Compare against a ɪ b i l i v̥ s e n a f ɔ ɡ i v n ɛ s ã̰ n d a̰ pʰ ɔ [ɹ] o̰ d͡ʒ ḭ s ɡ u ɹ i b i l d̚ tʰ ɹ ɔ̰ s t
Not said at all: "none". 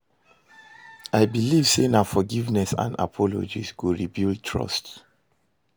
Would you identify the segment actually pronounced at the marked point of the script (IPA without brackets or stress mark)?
l